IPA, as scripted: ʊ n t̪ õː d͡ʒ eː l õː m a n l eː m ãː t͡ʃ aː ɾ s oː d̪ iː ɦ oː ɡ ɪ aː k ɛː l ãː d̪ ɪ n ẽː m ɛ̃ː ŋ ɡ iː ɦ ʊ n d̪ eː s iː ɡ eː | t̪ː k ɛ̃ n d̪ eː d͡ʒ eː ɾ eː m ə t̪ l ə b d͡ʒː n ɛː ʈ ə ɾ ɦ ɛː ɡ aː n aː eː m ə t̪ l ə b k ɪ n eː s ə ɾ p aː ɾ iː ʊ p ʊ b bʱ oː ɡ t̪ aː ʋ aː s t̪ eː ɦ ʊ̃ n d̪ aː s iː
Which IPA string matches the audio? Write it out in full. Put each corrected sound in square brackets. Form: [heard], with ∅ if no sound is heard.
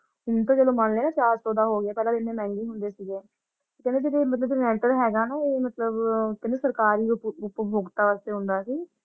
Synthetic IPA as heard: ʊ n t̪ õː d͡ʒ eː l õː m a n l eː [n] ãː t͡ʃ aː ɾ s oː d̪ [aː] ɦ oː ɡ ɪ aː [p] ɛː l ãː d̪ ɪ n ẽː m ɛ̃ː ŋ ɡ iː ɦ ʊ n d̪ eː s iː ɡ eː | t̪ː k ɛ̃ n d̪ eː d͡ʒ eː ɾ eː m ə t̪ l ə b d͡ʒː n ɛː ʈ ə ɾ ɦ ɛː ɡ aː n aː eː m ə t̪ l ə b k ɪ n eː s ə ɾ [k] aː ɾ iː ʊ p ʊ [p] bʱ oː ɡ t̪ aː ʋ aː s t̪ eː ɦ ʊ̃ n d̪ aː s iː